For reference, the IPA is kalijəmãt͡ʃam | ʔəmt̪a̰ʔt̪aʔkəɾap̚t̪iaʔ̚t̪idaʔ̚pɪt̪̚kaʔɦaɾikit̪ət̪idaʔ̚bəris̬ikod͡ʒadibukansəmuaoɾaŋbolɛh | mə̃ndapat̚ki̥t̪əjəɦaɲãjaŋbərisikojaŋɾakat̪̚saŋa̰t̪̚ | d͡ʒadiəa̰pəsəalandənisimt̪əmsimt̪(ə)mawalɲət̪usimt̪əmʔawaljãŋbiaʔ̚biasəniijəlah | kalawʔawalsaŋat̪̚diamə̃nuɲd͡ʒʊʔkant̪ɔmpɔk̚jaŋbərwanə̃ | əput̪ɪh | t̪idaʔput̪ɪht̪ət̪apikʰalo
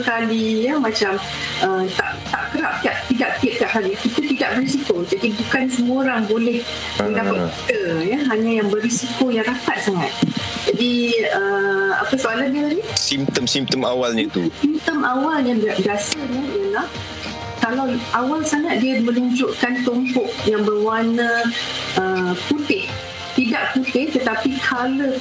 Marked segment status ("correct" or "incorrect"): correct